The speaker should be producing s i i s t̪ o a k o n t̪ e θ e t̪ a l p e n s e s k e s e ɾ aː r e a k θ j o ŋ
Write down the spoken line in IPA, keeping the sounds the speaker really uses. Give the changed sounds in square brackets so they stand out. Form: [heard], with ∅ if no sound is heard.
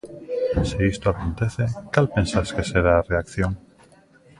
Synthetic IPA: s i i s t̪ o a k o n t̪ e θ e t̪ a l p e n s [a] s k e s e ɾ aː r e a k θ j o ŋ